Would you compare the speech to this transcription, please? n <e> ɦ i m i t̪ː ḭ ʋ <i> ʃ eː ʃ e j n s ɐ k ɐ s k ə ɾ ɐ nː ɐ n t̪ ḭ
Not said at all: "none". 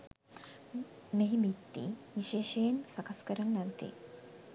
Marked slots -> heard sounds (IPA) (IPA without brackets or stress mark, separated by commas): e, i